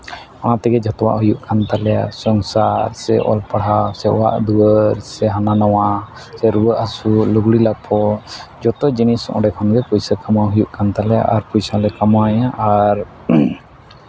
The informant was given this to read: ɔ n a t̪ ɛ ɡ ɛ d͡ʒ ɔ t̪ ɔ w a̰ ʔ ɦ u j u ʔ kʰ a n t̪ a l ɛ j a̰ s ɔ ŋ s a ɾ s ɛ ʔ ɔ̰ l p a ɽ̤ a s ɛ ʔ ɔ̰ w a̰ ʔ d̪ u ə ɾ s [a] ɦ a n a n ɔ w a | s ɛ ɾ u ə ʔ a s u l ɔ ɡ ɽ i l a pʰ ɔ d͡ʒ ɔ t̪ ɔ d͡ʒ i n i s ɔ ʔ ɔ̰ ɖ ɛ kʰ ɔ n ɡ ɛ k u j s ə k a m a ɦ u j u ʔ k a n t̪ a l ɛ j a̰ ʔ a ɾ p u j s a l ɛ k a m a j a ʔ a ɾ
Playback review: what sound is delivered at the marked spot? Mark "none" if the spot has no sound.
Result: ɛ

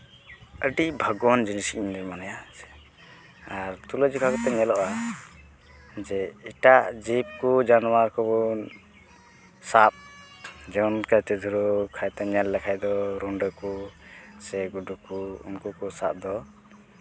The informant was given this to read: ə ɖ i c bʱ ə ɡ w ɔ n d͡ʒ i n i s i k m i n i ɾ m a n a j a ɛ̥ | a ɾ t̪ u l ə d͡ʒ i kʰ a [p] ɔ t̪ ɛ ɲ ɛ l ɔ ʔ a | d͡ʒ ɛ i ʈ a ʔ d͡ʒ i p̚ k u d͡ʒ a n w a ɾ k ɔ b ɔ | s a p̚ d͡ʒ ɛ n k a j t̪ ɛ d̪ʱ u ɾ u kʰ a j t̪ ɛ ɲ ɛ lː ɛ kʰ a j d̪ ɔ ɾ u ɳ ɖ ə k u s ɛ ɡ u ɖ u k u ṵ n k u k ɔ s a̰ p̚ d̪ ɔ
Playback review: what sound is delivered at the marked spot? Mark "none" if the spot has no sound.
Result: k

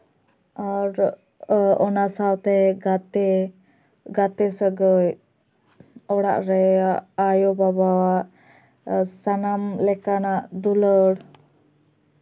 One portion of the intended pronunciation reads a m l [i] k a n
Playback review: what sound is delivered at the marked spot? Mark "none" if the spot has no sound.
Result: ɛ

